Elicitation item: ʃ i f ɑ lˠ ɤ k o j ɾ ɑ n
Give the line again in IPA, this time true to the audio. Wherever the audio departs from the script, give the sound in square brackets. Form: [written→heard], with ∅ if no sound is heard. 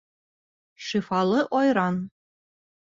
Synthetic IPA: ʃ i f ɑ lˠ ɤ [k→ʔ] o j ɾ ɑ n